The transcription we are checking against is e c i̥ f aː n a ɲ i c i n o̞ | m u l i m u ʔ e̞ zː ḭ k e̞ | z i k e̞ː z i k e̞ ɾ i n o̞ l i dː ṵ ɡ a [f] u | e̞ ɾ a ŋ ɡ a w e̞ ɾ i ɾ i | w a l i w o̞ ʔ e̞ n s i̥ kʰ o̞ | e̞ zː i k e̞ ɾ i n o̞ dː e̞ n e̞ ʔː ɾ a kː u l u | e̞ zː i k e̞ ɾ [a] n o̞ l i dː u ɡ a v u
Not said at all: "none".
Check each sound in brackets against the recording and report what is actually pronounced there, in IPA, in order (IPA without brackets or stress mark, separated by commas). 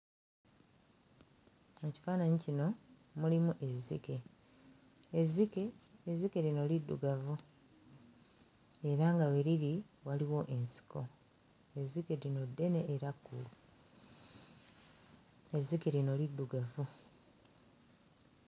v, i